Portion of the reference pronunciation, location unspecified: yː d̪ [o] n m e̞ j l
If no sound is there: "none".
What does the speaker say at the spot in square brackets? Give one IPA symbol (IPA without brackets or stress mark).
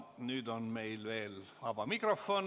o